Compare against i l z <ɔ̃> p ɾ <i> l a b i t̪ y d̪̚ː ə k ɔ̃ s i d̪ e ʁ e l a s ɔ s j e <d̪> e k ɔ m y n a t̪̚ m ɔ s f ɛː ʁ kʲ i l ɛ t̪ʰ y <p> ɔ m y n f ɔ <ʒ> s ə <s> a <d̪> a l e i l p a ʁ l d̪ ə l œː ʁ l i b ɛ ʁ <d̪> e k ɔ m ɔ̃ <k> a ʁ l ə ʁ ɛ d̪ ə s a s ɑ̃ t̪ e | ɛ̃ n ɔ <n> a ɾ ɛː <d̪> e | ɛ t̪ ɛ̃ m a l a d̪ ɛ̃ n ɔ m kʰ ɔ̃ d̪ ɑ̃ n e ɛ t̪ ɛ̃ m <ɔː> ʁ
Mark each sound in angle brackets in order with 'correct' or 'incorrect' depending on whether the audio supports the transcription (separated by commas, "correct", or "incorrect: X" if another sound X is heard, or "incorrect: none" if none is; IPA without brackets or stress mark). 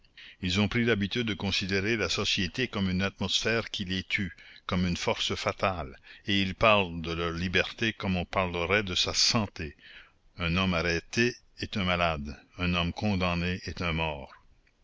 correct, correct, incorrect: t̪, incorrect: k, incorrect: ʁ, incorrect: f, incorrect: t̪, incorrect: t̪, incorrect: p, incorrect: m, incorrect: t̪, correct